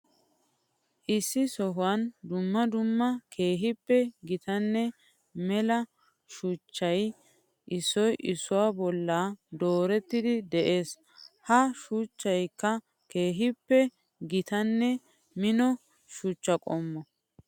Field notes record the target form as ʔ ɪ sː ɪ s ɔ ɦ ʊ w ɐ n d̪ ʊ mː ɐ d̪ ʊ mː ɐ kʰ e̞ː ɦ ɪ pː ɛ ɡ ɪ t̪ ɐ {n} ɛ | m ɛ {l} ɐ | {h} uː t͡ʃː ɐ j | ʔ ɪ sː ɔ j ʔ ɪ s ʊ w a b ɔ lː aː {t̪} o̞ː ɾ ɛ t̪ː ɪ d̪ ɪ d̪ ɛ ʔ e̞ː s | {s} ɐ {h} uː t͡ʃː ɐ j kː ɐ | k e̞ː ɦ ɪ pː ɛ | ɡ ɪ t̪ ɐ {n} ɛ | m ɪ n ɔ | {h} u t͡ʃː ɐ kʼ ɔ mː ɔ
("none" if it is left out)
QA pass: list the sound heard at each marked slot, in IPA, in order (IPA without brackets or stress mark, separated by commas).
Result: nː, l, ʃ, d̪, h, ʃ, nː, ʃ